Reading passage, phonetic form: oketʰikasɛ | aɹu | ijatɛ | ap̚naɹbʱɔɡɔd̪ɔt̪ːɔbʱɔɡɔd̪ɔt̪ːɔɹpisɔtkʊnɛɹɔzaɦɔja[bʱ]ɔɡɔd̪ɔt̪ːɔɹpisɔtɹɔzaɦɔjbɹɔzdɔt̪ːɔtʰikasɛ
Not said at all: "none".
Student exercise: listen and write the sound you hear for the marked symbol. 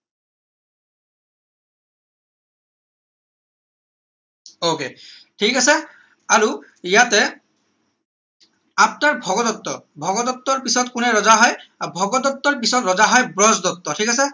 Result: bʱ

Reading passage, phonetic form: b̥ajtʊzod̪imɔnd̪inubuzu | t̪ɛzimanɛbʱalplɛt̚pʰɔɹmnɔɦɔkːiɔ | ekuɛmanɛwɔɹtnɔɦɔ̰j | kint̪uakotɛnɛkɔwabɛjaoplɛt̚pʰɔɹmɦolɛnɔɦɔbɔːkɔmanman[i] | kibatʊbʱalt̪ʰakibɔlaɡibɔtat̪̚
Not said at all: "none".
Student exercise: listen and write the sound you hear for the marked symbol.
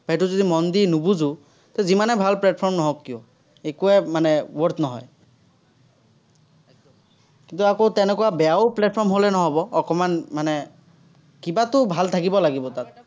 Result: ɛ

